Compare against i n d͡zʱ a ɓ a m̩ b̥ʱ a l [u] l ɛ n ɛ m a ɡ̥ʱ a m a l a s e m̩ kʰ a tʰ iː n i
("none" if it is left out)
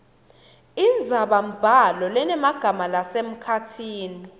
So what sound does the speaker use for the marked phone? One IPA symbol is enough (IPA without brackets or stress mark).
ɔ